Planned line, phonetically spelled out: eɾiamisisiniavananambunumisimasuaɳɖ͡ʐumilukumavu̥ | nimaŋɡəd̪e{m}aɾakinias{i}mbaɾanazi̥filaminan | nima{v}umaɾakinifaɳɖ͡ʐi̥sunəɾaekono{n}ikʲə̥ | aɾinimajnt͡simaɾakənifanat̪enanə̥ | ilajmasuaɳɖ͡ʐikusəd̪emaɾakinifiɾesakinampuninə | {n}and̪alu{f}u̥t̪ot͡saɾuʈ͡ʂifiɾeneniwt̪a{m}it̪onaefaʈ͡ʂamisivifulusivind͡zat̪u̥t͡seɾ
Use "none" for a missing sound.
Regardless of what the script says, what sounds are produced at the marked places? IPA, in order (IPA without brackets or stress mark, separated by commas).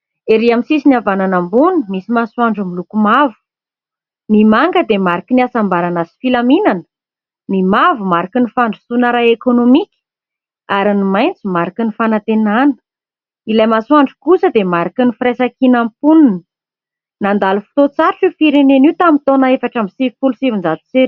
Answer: m, a, v, m, n, f, m